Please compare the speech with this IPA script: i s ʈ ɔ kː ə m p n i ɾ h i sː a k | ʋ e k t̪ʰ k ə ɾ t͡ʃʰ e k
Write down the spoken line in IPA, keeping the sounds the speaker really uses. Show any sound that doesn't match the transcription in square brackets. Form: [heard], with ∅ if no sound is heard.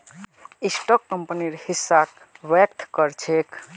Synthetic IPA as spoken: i s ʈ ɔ kː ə m p n i ɾ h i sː a k | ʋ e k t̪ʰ k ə ɾ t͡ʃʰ e k